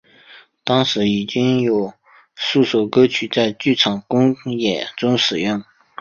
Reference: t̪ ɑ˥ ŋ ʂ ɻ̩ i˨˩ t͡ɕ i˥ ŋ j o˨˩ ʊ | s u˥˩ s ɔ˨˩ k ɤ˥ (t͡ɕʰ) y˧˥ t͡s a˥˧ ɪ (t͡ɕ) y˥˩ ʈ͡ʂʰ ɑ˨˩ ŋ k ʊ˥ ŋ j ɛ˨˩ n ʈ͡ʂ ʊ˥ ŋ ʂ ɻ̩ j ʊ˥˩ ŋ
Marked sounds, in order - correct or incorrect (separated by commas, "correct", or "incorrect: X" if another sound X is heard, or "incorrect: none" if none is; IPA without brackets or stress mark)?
correct, correct